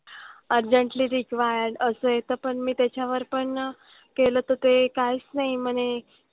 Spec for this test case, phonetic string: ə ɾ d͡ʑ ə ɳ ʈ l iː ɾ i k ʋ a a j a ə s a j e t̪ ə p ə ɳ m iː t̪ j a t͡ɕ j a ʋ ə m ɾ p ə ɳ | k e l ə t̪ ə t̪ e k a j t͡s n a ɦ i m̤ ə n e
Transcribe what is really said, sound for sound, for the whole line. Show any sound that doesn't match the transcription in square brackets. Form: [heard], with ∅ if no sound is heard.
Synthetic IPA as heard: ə ɾ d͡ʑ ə ɳ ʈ l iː ɾ i k ʋ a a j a ə s [ə] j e t̪ ə p ə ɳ m iː t̪ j a t͡ɕ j a ʋ ə [∅] ɾ p ə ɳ | k e l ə t̪ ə t̪ e k a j t͡s n a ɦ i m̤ ə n e

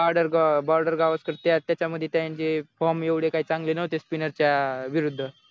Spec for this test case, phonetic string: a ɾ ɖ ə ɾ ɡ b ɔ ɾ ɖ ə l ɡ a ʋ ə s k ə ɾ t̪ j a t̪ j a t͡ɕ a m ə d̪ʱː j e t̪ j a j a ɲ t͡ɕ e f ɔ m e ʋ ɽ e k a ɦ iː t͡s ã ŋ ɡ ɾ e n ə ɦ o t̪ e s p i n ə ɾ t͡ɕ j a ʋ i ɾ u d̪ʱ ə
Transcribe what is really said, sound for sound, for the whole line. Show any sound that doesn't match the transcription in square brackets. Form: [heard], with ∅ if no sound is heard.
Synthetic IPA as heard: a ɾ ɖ ə ɾ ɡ b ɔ ɾ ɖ ə [ɾ] ɡ a ʋ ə s k ə ɾ t̪ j a t̪ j a t͡ɕ a m ə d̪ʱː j e t̪ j a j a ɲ t͡ɕ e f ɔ m e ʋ ɽ e k a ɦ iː t͡s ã ŋ ɡ [l] e n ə ɦ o t̪ e s p i n ə ɾ t͡ɕ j a ʋ i ɾ u [d̪ʱː] ə

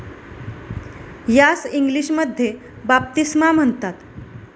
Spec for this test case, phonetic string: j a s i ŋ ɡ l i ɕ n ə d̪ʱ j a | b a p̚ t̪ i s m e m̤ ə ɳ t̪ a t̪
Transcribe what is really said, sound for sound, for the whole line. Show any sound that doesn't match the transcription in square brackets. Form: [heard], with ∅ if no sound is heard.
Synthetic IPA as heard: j a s i ŋ ɡ l i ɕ [m] ə d̪ʱ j [e] | b a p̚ t̪ i s m [a] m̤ ə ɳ t̪ a t̪

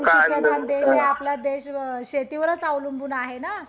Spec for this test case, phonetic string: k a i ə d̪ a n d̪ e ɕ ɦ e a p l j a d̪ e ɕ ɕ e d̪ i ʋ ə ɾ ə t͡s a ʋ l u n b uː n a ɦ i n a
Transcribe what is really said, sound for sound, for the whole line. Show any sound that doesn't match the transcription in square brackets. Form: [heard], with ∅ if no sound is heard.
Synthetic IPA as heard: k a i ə d̪ a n d̪ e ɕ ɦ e a p l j a d̪ e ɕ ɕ e [t̪] i ʋ ə ɾ ə t͡s a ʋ l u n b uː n a ɦ [e] n a

